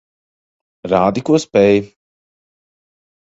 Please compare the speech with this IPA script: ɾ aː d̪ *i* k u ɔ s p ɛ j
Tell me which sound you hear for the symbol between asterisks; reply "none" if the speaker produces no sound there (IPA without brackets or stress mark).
i